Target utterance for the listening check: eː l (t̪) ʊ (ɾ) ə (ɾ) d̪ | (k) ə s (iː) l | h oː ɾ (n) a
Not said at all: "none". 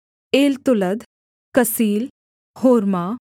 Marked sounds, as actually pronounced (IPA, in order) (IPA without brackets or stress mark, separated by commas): t̪, l, none, k, iː, m